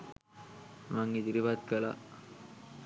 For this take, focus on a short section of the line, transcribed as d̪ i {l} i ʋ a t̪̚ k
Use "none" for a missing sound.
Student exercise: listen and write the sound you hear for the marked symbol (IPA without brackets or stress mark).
ɾ